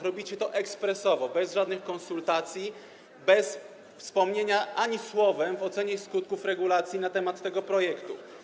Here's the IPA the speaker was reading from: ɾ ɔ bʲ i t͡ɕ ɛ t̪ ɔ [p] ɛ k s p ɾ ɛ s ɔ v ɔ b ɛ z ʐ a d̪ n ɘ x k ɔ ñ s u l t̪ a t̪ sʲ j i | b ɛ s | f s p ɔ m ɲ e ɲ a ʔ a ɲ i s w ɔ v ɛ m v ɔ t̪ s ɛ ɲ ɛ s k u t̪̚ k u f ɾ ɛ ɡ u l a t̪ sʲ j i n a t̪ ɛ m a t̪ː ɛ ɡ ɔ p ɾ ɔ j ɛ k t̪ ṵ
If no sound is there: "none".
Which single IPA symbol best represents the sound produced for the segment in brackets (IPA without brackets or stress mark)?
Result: ʔ